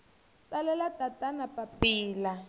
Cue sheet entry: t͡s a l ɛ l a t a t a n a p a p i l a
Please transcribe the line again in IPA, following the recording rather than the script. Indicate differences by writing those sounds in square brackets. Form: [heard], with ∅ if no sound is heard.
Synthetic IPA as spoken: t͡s a l ɛ l a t a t a n a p a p [iː] l a